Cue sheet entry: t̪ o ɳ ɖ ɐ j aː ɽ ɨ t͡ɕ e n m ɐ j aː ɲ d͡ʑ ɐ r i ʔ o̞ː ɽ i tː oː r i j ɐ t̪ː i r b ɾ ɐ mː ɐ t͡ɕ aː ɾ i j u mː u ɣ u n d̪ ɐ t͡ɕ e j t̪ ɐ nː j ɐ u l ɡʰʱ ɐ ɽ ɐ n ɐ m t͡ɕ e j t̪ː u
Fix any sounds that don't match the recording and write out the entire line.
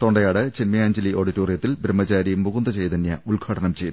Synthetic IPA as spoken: t̪ o ɳ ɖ ɐ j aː ɽ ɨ t͡ɕ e n m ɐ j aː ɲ d͡ʑ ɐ l i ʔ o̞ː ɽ i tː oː r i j ɐ t̪ː i l b ɾ ɐ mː ɐ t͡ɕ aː ɾ i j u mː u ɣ u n d̪ ɐ t͡ɕ e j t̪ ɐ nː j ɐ u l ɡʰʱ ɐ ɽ ɐ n ɐ m t͡ɕ e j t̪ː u